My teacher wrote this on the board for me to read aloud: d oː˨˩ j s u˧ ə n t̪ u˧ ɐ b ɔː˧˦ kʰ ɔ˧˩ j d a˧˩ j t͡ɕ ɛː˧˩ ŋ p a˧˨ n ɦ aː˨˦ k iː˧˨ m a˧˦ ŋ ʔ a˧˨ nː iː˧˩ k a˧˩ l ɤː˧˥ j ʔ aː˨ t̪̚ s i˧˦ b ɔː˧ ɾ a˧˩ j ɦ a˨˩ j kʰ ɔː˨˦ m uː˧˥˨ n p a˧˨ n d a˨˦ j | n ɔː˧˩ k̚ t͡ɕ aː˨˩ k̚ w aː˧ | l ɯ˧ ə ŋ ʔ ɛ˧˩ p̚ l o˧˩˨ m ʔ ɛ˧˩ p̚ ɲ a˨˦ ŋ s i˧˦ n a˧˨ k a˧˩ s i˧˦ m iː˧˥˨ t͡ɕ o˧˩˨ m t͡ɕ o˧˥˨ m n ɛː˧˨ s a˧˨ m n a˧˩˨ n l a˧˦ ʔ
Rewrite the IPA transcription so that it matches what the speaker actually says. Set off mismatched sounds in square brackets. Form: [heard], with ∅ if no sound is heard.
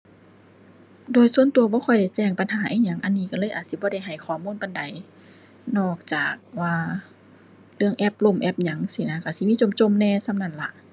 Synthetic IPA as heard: d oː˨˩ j s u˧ ə n t̪ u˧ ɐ b ɔː˧˦ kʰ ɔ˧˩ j d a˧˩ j t͡ɕ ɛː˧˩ ŋ p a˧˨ n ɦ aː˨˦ [ʔ] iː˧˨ [ɲ] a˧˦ ŋ ʔ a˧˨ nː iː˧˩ k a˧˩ l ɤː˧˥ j ʔ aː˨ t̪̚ s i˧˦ b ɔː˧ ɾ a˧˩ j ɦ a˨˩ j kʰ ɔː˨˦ m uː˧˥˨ n p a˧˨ n d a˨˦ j | n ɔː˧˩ k̚ t͡ɕ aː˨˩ k̚ w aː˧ | l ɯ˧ ə ŋ ʔ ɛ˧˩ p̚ l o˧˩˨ m ʔ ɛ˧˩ p̚ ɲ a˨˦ ŋ s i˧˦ n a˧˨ k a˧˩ s i˧˦ m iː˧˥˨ t͡ɕ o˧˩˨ m t͡ɕ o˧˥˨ m n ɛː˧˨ s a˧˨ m n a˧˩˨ n l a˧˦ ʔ